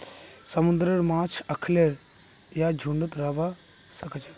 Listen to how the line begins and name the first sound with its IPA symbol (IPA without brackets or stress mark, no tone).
s